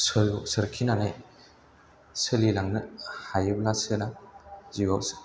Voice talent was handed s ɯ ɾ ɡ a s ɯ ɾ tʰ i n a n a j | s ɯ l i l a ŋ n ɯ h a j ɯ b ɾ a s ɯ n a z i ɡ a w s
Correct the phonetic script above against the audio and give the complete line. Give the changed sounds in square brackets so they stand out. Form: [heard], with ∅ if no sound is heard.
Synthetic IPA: s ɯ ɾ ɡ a s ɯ ɾ [kʰ] i n a n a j | s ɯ l i l a ŋ n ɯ h a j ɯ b [l] a s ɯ n a z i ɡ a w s